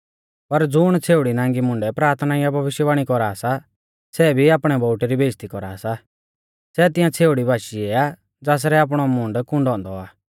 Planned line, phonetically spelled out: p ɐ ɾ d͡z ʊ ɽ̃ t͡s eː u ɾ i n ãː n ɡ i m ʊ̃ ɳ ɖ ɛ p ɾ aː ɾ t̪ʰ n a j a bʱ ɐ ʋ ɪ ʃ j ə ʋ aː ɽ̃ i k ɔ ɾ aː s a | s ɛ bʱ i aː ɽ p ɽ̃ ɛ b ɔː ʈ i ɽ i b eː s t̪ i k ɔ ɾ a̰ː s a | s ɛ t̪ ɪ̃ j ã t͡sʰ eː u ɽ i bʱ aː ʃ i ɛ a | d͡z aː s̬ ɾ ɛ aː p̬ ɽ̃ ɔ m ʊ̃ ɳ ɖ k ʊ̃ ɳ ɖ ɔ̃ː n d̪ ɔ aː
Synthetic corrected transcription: p ɐ ɾ d͡z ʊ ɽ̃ t͡sʰ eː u ɽ i n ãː ŋ ɡ i m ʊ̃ ɳ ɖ ɛ p ɾ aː ɾ t̪ʰ n a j a bʱ ɐ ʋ ɪ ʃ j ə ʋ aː ɽ̃ i k ɔ ɾ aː s a | s ɛ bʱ i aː p ɽ̃ ɛ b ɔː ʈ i ɾ i b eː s t̪ i k ɔ ɾ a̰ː s a | s ɛ t̪ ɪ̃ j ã t͡sʰ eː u ɽ i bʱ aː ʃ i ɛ a | d͡z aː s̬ ɾ ɛ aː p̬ ɽ̃ ɔ m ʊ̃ ɳ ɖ k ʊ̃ ɳ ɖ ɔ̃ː n d̪ ɔ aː